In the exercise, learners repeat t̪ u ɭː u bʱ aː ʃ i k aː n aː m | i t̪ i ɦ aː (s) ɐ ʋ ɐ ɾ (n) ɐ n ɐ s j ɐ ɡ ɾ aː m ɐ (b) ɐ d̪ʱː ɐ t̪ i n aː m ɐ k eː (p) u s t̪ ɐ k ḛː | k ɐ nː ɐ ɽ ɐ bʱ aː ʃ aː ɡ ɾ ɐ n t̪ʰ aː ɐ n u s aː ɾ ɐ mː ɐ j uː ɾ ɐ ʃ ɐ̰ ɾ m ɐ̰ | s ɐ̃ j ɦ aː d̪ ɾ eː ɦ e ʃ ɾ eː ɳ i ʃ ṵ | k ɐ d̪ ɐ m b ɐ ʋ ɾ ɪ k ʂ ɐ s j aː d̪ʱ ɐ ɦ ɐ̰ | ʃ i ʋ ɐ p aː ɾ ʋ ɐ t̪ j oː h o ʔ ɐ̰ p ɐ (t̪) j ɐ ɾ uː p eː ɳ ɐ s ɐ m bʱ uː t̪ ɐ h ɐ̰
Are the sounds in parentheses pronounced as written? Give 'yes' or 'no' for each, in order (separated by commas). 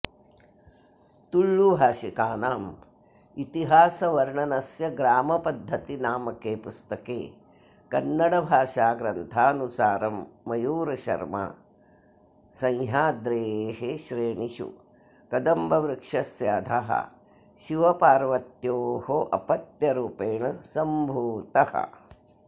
yes, no, no, yes, yes